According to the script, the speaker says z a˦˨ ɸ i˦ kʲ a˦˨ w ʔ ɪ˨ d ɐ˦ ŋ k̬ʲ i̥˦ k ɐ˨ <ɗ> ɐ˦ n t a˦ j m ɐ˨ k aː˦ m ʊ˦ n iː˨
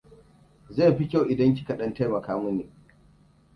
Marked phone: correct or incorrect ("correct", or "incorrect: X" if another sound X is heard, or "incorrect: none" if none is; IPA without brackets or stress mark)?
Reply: correct